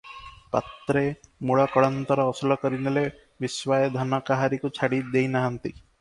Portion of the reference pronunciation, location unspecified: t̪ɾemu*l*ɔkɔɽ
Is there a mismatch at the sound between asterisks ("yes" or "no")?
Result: yes